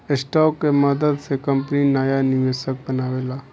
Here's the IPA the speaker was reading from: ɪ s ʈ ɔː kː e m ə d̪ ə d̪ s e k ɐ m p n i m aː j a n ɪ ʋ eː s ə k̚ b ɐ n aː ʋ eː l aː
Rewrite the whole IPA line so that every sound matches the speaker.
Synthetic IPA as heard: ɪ s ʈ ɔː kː e m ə d̪ ə d̪ s e k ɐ m p n i n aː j a n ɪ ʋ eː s ə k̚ b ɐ n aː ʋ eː l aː